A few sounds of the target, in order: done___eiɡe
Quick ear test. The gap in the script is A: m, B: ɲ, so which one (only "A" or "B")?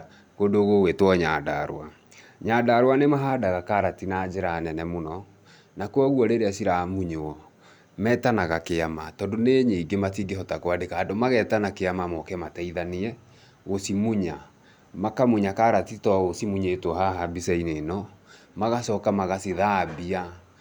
B